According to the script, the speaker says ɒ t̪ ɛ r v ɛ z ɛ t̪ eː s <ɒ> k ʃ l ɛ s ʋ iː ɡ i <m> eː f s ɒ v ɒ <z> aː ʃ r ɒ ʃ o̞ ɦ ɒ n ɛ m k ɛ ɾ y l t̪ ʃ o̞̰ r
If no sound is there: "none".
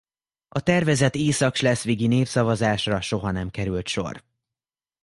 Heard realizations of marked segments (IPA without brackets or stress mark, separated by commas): ɒ, n, z